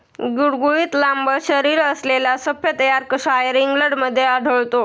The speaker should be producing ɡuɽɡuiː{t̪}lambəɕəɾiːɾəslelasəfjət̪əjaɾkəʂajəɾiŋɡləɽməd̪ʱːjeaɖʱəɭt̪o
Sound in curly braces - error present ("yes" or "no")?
no